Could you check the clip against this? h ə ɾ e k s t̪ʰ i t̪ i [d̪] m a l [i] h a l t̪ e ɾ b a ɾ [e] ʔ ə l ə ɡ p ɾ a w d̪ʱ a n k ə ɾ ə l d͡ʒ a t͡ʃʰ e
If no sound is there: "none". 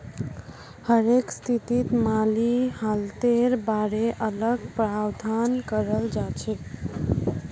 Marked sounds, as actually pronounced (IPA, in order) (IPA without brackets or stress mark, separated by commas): t̪, i, e